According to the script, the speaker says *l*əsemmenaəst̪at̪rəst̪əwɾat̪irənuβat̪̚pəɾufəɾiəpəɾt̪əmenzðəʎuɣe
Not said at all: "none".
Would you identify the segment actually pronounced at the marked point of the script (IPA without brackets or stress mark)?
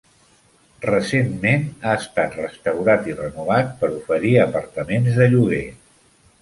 r